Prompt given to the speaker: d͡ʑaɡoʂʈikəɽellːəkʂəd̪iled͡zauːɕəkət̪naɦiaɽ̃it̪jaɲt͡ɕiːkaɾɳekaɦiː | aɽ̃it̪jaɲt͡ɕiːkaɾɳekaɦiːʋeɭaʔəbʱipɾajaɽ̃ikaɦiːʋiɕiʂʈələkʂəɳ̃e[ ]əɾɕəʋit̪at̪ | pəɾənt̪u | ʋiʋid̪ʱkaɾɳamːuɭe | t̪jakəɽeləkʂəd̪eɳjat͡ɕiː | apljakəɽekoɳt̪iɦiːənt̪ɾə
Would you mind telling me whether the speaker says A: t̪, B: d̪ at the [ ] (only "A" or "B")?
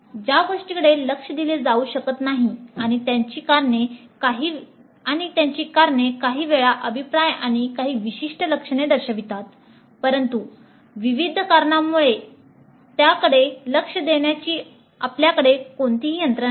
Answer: B